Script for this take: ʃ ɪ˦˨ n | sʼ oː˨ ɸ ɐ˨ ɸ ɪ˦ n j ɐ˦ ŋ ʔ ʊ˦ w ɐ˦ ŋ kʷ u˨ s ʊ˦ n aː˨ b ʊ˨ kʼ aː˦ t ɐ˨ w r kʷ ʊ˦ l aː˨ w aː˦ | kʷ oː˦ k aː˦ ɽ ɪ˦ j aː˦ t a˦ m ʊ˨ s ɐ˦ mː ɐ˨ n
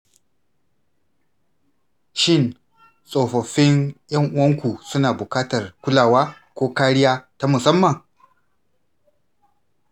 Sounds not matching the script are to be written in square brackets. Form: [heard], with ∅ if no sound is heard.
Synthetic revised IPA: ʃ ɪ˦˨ n | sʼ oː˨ ɸ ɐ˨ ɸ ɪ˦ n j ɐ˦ ŋ ʔ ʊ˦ w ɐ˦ ŋ kʷ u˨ s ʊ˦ n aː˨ b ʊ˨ [k] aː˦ t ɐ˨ [∅] r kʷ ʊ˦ l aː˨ w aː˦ | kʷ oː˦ k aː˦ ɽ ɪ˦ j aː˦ t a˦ m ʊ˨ s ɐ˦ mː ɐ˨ [ŋ]